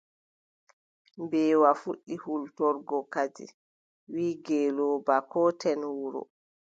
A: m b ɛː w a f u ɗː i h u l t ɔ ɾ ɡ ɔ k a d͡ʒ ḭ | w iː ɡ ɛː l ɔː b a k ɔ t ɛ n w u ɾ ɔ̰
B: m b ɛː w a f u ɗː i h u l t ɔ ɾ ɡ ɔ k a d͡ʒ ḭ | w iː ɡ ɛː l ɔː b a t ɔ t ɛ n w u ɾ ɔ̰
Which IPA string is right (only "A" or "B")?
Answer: A